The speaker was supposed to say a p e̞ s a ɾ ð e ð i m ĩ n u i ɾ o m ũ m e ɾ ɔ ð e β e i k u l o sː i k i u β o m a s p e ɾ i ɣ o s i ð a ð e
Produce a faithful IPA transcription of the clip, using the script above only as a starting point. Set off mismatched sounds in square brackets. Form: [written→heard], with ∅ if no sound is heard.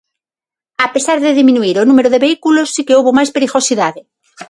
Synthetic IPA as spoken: a p e̞ s a ɾ ð e ð i m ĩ n u i ɾ o [m→n] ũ m e ɾ [ɔ→o] ð e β e i k u l o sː i k [i→e] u β o m a s p e ɾ i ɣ o s i ð a ð e